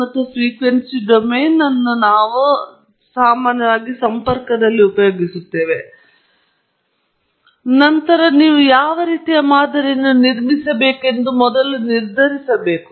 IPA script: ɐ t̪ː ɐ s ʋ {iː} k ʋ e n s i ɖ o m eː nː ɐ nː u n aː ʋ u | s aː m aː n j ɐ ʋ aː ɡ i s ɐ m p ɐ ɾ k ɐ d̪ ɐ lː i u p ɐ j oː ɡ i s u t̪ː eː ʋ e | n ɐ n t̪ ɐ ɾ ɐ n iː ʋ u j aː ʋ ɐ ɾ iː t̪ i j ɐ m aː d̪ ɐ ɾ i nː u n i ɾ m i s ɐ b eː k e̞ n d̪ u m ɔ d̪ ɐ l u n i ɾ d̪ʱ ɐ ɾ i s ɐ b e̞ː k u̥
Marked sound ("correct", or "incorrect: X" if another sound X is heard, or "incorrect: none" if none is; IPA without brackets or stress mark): correct